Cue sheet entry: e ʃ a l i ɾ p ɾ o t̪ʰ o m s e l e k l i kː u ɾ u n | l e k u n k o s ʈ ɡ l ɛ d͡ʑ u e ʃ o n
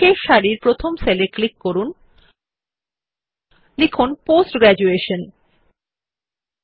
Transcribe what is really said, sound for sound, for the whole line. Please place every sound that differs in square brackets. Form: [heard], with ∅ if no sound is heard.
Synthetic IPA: e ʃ a [ɾ] i ɾ p ɾ o t̪ʰ o m s e l e k l i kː [o] ɾ u n | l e [kʰ] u n [p] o s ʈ ɡ [ɾ] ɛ d͡ʑ u e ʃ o n